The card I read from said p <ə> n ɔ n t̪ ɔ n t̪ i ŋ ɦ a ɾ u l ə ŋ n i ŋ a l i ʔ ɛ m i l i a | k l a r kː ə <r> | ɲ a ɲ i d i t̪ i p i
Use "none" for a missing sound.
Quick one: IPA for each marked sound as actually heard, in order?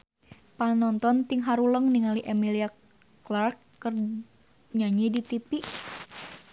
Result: a, r

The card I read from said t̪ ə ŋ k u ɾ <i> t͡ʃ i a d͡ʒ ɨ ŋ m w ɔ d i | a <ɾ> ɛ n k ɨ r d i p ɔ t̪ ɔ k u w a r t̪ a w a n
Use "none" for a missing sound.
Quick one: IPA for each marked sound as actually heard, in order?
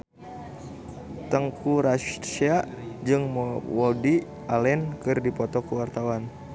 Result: a, l

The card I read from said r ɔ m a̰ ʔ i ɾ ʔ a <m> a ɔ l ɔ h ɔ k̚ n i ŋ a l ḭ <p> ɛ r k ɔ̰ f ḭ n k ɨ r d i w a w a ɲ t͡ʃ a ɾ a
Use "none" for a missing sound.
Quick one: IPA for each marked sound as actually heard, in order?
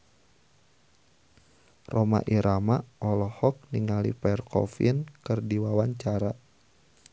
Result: m, p

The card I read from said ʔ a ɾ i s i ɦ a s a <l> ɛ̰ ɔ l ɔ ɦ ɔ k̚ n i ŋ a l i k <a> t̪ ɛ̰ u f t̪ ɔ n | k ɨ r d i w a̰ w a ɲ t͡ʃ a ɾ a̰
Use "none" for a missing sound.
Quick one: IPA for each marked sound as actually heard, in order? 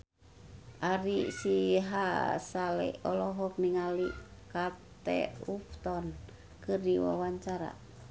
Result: l, a

